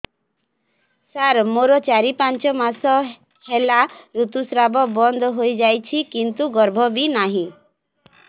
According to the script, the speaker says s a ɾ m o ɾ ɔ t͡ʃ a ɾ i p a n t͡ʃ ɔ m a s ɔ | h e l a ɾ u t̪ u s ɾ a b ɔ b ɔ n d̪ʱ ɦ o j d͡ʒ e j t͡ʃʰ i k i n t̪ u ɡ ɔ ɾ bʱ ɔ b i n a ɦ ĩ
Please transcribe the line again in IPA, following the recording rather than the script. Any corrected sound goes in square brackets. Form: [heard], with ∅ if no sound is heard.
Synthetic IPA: s a ɾ m o ɾ ɔ t͡ʃ a ɾ i p a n t͡ʃ ɔ m a s ɔ | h e l a ɾ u t̪ u s ɾ a b ɔ b ɔ n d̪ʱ ɦ o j d͡ʒ [a] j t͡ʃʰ i k i n t̪ u ɡ ɔ ɾ bʱ ɔ b i n a ɦ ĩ